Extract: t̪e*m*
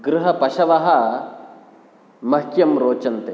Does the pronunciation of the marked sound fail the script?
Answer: yes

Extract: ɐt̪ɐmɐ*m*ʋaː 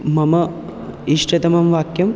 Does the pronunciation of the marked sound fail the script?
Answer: no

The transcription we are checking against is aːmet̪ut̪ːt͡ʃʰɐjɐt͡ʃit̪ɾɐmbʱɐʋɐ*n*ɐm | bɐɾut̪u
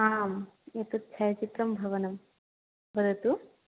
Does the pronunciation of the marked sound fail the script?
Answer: no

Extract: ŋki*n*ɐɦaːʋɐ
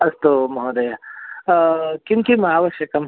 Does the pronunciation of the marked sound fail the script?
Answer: yes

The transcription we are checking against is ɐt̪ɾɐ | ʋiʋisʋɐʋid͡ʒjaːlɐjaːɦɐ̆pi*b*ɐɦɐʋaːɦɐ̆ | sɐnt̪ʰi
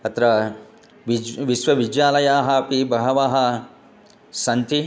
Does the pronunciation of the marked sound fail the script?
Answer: no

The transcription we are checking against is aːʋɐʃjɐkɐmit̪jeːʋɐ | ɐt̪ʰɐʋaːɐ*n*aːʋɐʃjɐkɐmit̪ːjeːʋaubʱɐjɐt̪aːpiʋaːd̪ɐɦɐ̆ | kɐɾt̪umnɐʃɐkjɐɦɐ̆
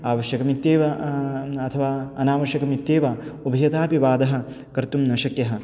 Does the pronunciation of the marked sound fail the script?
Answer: no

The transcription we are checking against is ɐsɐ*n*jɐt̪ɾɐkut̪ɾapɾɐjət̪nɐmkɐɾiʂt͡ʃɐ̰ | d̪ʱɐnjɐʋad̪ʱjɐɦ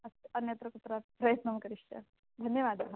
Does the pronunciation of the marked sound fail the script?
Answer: no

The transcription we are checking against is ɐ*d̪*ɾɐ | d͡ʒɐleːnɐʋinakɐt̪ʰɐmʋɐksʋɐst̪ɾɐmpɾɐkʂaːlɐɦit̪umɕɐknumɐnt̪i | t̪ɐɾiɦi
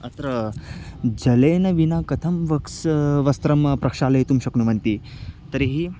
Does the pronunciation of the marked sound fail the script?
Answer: yes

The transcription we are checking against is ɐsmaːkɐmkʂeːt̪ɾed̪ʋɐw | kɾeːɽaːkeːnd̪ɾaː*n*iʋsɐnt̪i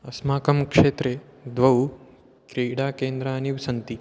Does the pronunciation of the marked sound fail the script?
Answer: no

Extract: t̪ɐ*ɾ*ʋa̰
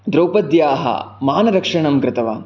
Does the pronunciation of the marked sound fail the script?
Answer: yes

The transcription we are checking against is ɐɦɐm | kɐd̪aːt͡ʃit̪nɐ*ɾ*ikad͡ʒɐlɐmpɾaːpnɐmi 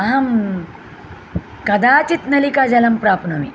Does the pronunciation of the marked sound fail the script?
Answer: yes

